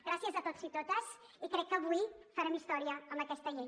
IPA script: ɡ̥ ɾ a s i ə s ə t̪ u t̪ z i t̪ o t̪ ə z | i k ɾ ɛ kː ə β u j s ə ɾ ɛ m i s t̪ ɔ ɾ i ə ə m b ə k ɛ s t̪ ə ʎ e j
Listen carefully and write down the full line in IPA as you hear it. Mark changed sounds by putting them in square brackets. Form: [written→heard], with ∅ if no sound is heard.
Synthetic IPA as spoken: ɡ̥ ɾ a s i ə [s→z] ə t̪ [u→o] t̪ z i t̪ o t̪ ə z | i k ɾ ɛ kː ə β u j [s→f] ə ɾ ɛ m i s t̪ ɔ ɾ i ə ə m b ə k ɛ s t̪ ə ʎ e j